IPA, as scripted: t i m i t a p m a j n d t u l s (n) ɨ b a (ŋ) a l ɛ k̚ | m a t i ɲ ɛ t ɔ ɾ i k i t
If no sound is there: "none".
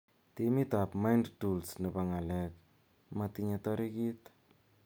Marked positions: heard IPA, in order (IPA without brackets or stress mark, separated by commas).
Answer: n, ŋ